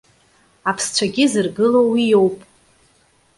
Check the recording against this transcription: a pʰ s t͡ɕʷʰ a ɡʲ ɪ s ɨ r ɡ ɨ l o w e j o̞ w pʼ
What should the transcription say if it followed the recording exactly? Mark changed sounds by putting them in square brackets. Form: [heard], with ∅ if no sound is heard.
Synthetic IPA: a pʰ s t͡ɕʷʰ a ɡʲ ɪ [z] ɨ r ɡ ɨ l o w [i] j o̞ w pʼ